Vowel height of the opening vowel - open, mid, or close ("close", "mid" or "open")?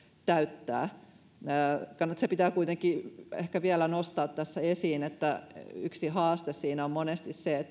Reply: open